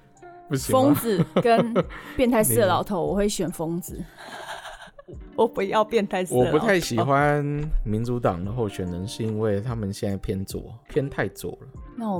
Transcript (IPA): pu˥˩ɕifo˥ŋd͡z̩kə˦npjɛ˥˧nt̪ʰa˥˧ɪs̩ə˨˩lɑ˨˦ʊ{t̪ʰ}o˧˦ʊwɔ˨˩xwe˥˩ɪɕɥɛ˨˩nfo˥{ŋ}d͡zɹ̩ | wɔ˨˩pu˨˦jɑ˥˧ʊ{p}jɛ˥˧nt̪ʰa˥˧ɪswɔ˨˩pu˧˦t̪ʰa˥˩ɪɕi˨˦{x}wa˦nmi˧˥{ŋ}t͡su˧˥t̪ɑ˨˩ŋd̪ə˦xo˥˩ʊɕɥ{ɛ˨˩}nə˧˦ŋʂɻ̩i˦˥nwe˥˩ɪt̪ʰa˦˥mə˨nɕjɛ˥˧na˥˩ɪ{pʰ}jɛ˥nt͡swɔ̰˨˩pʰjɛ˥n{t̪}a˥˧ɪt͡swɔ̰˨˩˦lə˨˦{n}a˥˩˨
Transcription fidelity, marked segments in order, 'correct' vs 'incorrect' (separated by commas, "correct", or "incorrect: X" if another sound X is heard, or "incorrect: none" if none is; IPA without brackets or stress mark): correct, correct, correct, correct, incorrect: n, correct, correct, incorrect: t̪ʰ, correct